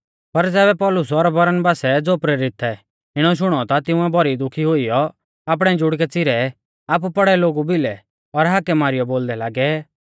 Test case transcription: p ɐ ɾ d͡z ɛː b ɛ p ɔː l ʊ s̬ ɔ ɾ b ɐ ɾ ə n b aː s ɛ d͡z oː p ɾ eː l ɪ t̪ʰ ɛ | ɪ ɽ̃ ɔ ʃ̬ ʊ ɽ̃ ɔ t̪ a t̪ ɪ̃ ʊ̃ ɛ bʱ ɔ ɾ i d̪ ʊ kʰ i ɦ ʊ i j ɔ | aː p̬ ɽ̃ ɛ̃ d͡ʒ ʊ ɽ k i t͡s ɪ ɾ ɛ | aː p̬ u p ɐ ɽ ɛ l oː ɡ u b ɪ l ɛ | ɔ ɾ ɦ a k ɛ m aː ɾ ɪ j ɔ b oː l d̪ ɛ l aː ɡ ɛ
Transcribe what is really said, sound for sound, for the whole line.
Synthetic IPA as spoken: p ɐ ɾ d͡z ɛː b ɛ p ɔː l ʊ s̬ ɔ ɾ b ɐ ɾ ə n b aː s ɛ d͡z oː p ɾ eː ɾ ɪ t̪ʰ ɛ | ɪ ɽ̃ ɔ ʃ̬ ʊ ɽ̃ ɔ t̪ a t̪ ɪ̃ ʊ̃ ɛ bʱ ɔ ɾ i d̪ ʊ kʰ i ɦ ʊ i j ɔ | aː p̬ ɽ̃ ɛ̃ d͡ʒ ʊ ɽ k ɛ t͡s ɪ ɾ ɛ | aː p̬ u p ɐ ɽ ɛ l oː ɡ u b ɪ l ɛ | ɔ ɾ ɦ a k ɛ m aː ɾ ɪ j ɔ b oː l d̪ ɛ l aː ɡ ɛ